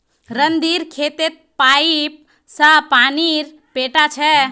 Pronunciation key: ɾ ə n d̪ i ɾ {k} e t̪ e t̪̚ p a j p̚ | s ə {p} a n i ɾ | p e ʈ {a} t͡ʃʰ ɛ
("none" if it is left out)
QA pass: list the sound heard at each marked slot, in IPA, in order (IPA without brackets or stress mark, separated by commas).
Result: kʰ, p, a